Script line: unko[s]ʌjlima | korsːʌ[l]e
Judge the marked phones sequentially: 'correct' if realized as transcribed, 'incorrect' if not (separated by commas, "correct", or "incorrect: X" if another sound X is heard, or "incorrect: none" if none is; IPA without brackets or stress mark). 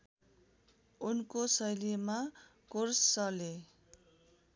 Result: correct, correct